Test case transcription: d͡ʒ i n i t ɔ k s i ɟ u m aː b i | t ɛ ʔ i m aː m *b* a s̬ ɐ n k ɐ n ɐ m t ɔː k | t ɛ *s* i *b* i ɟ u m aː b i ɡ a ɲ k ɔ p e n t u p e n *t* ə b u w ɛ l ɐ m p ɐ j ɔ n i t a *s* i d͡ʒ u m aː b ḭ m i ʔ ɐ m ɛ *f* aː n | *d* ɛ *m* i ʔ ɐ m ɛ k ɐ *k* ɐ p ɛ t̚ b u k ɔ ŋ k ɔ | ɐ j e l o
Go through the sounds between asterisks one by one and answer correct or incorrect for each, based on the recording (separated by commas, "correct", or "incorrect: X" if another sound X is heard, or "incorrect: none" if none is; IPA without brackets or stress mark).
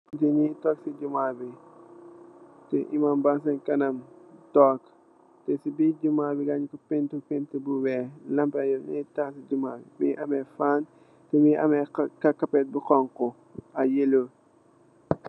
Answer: correct, correct, correct, correct, correct, correct, incorrect: t, correct, correct